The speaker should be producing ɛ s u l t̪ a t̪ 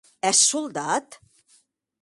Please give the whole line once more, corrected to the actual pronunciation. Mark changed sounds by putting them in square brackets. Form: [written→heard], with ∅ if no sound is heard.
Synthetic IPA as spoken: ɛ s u l [t̪→d̪] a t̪